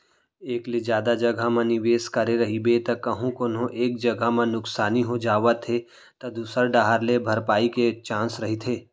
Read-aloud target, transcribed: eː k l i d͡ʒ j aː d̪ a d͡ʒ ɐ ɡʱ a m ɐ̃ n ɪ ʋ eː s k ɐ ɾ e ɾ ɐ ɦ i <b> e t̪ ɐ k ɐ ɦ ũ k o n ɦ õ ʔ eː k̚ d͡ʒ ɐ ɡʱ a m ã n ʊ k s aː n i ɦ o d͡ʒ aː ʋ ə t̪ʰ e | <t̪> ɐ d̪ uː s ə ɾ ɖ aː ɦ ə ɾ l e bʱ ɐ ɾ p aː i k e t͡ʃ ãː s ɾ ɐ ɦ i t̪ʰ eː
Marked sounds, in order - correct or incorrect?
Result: correct, correct

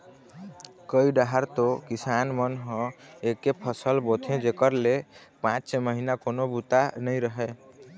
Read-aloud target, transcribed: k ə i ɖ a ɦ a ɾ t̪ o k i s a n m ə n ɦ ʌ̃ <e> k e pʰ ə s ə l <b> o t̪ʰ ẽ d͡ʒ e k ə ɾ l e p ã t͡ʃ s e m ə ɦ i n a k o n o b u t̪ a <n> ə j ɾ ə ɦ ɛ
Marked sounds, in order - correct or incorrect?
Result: correct, correct, correct

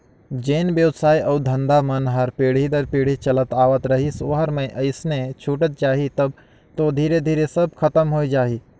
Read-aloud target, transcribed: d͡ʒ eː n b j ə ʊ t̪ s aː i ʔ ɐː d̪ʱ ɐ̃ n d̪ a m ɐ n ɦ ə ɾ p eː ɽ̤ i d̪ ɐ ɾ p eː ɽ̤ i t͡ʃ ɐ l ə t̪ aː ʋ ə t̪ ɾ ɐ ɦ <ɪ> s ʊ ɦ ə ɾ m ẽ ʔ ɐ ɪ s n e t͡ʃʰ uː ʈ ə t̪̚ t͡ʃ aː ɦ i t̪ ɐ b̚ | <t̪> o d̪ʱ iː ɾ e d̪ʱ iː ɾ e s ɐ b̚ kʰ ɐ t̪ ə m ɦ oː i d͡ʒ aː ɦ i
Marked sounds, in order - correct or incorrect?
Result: incorrect, correct

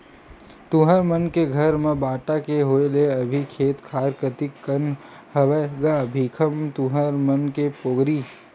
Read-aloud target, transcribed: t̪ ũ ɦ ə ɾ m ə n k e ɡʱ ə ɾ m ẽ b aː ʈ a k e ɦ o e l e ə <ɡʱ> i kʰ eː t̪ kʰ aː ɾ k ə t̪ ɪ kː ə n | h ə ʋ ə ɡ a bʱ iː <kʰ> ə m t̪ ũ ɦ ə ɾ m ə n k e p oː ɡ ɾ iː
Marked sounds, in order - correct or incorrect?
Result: incorrect, correct

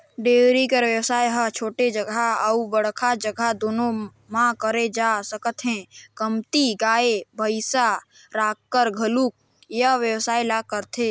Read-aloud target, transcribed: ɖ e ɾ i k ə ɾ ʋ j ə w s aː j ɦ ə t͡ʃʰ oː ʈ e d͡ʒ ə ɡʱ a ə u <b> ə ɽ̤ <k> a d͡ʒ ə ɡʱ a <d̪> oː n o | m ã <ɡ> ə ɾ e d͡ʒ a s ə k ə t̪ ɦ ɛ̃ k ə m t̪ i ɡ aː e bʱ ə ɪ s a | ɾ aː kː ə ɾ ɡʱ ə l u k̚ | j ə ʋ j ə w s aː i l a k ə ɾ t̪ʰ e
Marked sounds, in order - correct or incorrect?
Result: correct, incorrect, correct, incorrect

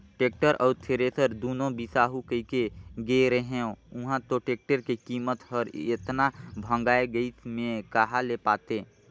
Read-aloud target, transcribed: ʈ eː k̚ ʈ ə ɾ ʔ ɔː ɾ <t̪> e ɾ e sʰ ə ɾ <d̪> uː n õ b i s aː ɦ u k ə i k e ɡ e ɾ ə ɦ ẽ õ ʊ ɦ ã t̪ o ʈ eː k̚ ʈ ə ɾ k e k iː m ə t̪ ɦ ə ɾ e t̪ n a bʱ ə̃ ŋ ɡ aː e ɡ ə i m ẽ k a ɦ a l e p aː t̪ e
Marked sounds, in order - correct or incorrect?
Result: incorrect, correct

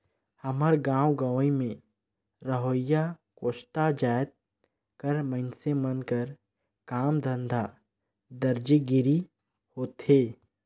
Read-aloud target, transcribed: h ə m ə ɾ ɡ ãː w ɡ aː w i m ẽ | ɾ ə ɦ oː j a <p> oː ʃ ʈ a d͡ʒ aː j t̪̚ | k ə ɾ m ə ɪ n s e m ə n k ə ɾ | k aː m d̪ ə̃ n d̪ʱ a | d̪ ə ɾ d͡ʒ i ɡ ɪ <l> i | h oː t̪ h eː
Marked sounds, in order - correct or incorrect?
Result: incorrect, incorrect

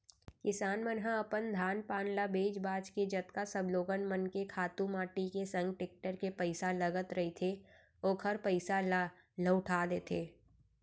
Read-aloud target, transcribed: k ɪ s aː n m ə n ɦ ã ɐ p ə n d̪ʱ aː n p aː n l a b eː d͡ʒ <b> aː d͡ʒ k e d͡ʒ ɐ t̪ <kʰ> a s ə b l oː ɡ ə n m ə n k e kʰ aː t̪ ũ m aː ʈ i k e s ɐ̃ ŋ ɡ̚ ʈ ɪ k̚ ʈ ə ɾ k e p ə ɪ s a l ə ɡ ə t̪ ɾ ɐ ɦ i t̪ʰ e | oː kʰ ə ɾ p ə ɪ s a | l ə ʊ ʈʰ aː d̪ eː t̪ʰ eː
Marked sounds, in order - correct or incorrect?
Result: correct, incorrect

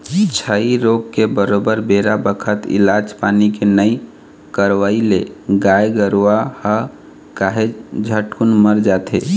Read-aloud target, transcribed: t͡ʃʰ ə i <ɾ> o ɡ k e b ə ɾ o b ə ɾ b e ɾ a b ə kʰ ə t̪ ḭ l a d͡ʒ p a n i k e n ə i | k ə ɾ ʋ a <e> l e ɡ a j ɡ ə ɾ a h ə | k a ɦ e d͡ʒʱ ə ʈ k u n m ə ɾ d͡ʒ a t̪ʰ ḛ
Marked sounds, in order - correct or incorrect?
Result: correct, incorrect

